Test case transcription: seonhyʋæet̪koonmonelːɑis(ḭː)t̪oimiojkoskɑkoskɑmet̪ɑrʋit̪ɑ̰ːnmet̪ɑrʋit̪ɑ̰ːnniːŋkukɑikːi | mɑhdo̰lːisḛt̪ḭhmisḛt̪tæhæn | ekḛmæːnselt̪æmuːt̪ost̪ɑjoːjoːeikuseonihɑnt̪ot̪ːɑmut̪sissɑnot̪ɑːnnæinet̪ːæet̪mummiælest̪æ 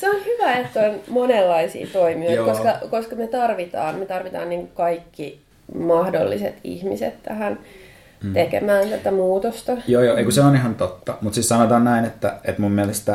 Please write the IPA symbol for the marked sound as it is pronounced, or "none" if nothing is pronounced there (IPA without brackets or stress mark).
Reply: ḭː